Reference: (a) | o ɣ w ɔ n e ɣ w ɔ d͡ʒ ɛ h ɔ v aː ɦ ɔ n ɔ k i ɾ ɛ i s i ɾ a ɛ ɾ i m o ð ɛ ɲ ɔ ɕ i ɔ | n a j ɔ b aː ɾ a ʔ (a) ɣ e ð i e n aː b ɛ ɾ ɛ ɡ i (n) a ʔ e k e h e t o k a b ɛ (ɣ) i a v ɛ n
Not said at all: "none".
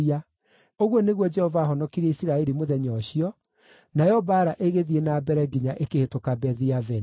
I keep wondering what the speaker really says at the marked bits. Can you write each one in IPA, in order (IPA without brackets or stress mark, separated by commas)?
a, e, ɲ, ð